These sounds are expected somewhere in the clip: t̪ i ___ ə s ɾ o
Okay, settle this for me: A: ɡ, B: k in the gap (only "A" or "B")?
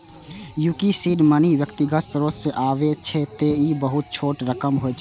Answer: A